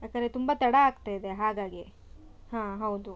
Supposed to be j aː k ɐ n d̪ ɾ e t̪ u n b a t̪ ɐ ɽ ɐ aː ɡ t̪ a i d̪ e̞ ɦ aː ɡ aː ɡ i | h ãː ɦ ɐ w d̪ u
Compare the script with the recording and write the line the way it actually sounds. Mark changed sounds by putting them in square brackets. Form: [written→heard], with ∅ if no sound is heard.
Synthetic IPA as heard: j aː k ɐ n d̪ ɾ e t̪ u [n→m] b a t̪ ɐ ɽ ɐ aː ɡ t̪ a i d̪ e̞ ɦ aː ɡ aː ɡ i | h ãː ɦ ɐ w d̪ u